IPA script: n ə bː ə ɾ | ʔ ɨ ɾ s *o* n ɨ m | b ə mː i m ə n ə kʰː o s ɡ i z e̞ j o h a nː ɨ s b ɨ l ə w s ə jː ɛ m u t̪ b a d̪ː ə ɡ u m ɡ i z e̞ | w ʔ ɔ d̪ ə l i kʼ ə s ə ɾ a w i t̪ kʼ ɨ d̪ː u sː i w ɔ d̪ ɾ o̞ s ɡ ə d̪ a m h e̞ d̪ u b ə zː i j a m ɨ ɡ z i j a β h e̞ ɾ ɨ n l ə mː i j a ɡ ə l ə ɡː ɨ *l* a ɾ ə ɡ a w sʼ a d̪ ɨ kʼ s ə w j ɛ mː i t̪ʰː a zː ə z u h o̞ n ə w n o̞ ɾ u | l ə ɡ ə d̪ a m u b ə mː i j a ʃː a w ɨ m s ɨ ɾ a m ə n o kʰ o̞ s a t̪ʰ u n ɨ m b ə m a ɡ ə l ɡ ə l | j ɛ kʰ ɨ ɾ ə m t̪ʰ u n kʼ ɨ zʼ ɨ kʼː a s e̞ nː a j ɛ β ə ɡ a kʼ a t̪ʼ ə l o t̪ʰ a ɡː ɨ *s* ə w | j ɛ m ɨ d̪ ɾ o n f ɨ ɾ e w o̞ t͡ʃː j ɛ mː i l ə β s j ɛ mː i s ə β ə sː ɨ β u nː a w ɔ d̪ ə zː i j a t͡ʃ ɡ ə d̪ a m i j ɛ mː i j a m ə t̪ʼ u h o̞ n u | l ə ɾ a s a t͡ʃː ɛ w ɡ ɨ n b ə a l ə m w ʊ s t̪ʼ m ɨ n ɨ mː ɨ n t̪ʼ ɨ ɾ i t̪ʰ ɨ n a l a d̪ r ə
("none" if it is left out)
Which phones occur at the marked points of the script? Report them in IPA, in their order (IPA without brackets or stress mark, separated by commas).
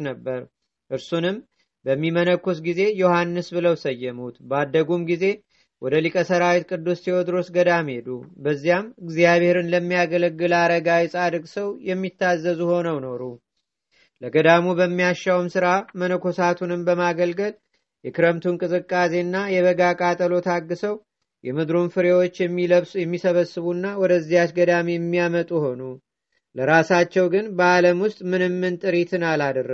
u, l, s